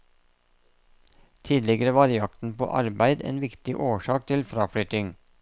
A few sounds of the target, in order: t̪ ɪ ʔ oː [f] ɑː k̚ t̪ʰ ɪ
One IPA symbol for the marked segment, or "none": ʃ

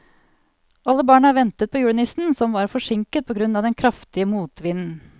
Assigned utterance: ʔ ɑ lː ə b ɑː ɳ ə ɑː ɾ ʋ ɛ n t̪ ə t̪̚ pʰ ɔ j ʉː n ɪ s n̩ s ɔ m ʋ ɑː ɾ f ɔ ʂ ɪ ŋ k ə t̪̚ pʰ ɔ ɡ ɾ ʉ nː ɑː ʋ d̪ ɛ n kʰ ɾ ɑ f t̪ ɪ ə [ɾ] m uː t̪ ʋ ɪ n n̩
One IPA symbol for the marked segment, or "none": none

